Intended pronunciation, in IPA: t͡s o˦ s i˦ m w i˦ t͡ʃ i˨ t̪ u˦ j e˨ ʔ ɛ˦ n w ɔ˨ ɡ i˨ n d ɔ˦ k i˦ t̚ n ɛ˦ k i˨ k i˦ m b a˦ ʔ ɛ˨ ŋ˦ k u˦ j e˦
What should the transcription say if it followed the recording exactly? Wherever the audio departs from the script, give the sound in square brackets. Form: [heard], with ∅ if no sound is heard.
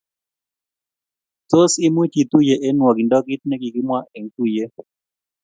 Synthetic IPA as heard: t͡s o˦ s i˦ m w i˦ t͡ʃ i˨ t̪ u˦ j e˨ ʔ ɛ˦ n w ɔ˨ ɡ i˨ n d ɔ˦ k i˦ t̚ n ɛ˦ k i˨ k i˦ m [w] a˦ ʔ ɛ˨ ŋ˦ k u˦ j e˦